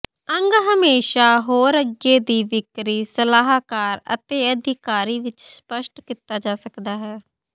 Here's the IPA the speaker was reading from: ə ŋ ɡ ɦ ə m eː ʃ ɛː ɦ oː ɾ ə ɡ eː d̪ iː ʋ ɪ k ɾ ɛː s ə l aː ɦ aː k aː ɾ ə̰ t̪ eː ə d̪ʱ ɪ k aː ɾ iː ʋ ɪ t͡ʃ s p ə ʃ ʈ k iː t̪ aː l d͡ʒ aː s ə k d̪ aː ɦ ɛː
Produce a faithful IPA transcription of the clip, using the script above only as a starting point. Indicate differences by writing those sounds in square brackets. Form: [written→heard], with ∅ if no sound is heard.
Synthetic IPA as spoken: ə ŋ ɡ ɦ ə m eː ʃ [ɛː→aː] ɦ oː ɾ ə ɡ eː d̪ iː ʋ ɪ k ɾ [ɛː→iː] s ə l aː ɦ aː k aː ɾ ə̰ t̪ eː ə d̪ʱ ɪ k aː ɾ iː ʋ ɪ t͡ʃ s p ə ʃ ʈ k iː t̪ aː [l→∅] d͡ʒ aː s ə k d̪ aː ɦ ɛː

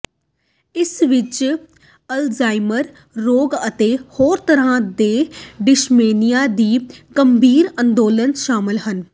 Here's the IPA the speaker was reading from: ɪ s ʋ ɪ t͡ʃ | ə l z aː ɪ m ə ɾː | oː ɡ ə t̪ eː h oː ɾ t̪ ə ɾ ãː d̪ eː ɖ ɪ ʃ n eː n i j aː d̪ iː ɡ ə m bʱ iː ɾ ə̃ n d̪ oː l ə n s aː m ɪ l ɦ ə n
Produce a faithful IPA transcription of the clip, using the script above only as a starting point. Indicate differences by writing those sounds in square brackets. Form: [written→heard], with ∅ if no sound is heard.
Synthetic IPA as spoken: ɪ s ʋ ɪ t͡ʃ | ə l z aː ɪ m ə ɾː | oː ɡ ə t̪ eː h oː ɾ t̪ ə ɾ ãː d̪ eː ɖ ɪ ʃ [n→m] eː n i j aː d̪ iː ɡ ə m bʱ iː ɾ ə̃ n d̪ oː l ə n [s→ʃ] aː m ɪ l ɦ ə n

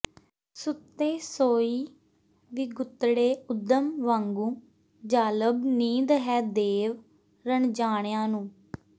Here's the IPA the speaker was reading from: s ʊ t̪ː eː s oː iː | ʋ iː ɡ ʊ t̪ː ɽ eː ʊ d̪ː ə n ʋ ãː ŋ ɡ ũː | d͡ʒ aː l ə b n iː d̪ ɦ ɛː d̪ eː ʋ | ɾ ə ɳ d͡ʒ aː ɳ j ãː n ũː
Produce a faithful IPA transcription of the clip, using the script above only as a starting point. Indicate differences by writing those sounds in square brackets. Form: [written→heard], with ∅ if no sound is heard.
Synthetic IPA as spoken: s ʊ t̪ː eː s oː iː | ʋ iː ɡ ʊ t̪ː ɽ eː ʊ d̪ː ə [n→m] ʋ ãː ŋ ɡ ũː | d͡ʒ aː l ə b n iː d̪ ɦ ɛː d̪ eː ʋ | ɾ ə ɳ d͡ʒ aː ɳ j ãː n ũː

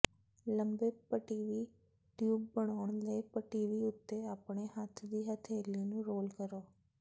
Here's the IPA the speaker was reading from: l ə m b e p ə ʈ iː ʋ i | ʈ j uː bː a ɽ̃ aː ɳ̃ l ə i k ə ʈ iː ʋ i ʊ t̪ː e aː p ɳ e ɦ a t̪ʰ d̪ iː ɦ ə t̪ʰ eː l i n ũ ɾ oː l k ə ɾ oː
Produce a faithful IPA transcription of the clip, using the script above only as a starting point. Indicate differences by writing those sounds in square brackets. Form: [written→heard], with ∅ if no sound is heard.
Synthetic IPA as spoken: l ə m b e p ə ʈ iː ʋ i | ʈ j uː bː [a→ə] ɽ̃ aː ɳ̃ l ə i [k→p] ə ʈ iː ʋ i ʊ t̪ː e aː p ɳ e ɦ a t̪ʰ d̪ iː ɦ ə t̪ʰ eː l i n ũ ɾ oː l k ə ɾ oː

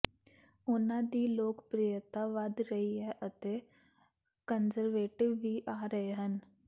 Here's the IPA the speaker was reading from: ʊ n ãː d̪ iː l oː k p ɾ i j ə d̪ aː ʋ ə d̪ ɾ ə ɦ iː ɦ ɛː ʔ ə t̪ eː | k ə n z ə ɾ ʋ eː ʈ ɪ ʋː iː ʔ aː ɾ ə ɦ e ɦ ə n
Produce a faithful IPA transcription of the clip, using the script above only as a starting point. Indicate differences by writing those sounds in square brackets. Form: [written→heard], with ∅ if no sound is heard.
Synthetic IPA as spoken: ʊ n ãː d̪ iː l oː k p ɾ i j ə [d̪→t̪] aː ʋ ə d̪ ɾ ə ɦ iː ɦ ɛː ʔ ə t̪ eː | k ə n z ə ɾ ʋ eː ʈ ɪ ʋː iː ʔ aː ɾ ə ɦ e ɦ ə n

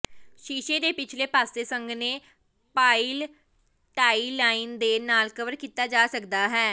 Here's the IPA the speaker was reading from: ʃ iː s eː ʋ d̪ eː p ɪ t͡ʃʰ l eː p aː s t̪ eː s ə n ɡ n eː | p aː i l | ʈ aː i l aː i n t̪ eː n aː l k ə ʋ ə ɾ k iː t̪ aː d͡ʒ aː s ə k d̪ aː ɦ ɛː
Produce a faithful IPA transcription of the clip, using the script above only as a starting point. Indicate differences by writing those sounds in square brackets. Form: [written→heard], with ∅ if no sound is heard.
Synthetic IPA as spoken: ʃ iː [s→ʃ] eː [ʋ→∅] d̪ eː p ɪ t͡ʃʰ l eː p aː s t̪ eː s ə [n→ŋ] ɡ n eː | p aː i l | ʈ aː i l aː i n [t̪→d̪] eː n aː l k ə ʋ ə ɾ k iː t̪ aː d͡ʒ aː s ə k d̪ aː ɦ ɛː

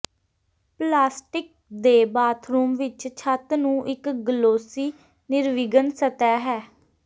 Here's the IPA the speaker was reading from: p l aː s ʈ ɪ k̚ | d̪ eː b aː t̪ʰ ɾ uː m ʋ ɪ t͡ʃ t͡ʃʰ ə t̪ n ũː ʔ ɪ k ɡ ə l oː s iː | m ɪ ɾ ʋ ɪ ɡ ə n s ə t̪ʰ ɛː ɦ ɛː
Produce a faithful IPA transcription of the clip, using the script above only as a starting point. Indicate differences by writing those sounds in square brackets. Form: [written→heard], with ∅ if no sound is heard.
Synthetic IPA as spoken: p l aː s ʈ ɪ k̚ | d̪ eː b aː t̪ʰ ɾ uː m ʋ ɪ t͡ʃ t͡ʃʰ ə t̪ n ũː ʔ ɪ k ɡ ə l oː s iː | [m→n] ɪ ɾ ʋ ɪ ɡ ə n s ə [t̪ʰ→t̪] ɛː ɦ ɛː

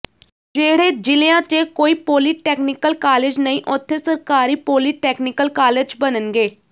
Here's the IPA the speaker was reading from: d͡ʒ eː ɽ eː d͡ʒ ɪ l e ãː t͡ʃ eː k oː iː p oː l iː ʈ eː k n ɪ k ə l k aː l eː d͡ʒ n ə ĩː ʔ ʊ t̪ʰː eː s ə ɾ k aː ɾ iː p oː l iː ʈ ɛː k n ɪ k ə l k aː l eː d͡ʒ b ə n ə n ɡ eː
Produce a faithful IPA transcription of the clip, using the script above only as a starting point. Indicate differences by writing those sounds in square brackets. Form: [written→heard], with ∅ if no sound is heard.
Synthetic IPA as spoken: d͡ʒ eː ɽ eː d͡ʒ ɪ l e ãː t͡ʃ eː k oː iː p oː l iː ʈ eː k n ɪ k ə l k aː l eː d͡ʒ n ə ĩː ʔ ʊ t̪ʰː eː s ə ɾ k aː ɾ iː p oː l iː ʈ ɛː k n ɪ k ə l k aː l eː d͡ʒ b ə n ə n ɡ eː

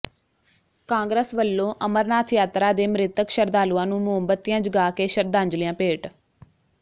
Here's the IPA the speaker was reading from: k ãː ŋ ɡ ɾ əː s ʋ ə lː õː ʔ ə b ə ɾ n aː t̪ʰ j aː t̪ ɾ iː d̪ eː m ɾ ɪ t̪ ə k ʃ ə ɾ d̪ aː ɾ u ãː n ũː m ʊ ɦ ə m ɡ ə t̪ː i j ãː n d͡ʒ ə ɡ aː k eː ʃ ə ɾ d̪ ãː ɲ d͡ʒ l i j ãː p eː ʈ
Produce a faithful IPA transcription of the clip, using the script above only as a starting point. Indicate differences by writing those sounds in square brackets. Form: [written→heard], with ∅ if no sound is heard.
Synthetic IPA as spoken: k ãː ŋ ɡ ɾ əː s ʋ ə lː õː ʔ ə [b→m] ə ɾ n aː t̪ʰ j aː t̪ ɾ [iː→aː] d̪ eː m ɾ ɪ t̪ ə k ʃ ə ɾ d̪ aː [ɾ→l] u ãː n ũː m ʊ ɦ ə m [ɡ→b] ə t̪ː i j ãː [n→∅] d͡ʒ ə ɡ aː k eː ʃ ə ɾ d̪ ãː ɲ d͡ʒ l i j ãː p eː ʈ

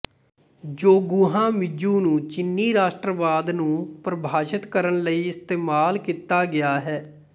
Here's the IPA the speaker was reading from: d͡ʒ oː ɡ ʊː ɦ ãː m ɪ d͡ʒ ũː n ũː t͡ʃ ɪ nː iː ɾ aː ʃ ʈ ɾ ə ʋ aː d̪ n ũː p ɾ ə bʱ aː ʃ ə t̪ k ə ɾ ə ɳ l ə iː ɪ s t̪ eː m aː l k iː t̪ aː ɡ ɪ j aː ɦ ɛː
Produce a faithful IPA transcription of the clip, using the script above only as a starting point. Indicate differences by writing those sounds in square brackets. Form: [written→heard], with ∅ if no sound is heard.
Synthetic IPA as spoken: d͡ʒ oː ɡ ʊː ɦ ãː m ɪ d͡ʒ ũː n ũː t͡ʃ ɪ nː iː ɾ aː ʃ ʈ ɾ ə ʋ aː d̪ n ũː p ɾ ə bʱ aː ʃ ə t̪ k ə ɾ ə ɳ l ə iː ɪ s t̪ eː m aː l k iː t̪ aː ɡ ɪ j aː ɦ ɛː

